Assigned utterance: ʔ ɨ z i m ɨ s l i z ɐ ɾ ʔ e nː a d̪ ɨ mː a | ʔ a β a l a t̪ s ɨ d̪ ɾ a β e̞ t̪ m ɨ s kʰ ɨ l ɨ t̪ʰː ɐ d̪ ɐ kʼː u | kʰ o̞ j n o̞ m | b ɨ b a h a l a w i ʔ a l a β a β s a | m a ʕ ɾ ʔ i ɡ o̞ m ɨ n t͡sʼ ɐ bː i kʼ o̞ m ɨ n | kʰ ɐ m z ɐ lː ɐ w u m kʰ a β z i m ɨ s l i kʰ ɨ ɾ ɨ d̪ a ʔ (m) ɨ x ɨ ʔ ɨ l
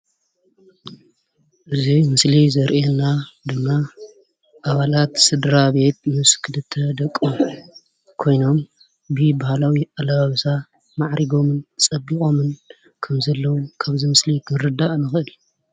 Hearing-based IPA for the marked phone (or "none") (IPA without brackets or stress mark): n